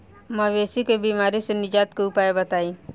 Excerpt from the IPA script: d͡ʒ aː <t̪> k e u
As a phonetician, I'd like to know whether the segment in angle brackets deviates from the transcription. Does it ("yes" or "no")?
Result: no